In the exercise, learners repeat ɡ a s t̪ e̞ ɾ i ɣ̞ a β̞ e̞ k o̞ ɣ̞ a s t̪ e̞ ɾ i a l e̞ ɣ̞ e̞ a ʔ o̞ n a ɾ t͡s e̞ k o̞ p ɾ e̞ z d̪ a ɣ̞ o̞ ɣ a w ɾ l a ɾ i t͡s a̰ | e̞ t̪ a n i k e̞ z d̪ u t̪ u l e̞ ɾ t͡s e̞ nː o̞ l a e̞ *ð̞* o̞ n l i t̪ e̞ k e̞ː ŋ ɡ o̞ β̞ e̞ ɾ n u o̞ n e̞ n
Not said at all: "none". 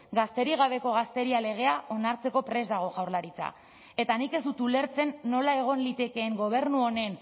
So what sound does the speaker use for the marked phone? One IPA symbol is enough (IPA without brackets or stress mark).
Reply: ɣ̞